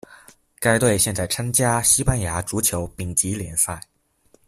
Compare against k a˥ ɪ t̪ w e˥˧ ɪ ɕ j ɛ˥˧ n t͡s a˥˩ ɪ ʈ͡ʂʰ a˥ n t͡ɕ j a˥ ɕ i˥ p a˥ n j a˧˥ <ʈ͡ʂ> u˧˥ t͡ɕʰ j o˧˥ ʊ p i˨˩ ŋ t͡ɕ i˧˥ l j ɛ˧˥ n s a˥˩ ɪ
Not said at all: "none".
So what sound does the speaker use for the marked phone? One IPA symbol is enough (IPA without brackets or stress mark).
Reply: ʈ͡ʂ